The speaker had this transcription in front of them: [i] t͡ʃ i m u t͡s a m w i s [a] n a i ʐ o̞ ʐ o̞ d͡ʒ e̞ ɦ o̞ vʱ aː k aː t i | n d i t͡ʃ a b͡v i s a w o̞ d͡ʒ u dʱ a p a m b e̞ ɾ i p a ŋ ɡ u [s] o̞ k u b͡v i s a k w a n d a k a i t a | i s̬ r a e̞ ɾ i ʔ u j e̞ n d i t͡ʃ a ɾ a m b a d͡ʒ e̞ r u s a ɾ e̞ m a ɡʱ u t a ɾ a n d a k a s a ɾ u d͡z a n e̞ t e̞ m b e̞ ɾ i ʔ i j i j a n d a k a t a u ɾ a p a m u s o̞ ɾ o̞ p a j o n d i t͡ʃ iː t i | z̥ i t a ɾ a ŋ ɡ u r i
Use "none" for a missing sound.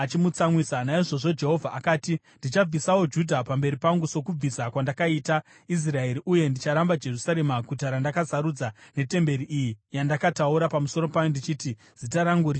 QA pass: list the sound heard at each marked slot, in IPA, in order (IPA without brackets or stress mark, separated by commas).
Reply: a, a, s